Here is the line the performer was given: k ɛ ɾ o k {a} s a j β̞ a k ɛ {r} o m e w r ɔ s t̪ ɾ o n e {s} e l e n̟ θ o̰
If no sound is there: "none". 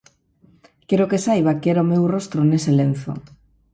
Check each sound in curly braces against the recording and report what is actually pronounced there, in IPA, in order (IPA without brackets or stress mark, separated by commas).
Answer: e, ɾ, s